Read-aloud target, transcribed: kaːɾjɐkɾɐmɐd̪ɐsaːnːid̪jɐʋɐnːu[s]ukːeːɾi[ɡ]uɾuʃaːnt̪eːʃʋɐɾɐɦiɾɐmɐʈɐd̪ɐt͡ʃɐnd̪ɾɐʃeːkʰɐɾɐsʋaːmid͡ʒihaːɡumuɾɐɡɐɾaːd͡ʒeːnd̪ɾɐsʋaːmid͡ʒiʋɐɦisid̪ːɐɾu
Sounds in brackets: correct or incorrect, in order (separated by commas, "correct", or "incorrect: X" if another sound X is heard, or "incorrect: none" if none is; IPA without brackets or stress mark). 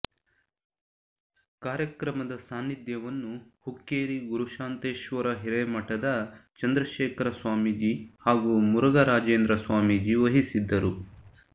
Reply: incorrect: h, correct